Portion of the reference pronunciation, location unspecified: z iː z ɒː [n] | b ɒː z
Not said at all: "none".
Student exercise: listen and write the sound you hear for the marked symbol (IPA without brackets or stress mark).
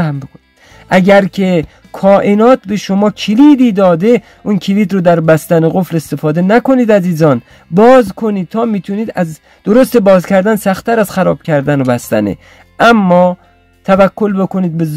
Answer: n